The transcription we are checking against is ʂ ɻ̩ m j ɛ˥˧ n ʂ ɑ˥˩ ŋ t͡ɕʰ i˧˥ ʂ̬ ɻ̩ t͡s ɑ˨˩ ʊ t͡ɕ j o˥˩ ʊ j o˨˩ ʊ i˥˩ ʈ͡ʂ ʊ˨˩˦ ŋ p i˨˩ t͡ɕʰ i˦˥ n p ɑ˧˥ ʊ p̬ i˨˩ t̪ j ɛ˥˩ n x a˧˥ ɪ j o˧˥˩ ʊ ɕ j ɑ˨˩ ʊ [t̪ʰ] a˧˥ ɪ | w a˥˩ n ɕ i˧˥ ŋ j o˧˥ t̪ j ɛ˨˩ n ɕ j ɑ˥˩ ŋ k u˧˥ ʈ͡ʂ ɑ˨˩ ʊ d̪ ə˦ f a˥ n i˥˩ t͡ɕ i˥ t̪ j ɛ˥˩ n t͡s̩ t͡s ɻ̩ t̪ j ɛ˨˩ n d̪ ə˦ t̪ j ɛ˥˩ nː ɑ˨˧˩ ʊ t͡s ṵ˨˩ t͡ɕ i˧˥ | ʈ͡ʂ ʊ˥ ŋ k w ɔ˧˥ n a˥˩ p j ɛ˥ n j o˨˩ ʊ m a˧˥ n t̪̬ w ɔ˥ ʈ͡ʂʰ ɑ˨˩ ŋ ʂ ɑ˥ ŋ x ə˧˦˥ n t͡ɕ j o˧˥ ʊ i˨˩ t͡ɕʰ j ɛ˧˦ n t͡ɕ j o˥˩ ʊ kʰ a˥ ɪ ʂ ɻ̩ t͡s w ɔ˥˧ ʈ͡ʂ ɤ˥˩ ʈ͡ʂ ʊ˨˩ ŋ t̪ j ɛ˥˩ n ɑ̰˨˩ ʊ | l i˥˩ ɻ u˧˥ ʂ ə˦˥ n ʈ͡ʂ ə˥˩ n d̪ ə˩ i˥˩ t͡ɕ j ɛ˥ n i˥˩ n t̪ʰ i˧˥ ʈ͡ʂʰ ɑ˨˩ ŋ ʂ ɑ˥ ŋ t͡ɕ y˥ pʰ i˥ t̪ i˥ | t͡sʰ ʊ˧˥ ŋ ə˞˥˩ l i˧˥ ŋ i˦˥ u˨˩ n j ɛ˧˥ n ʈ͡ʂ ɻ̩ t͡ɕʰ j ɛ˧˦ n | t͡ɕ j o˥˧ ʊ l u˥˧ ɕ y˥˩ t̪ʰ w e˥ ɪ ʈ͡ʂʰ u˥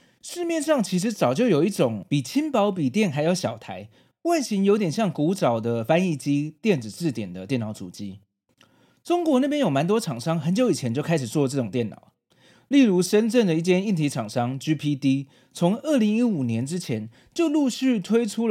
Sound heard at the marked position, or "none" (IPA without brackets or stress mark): t̪ʰ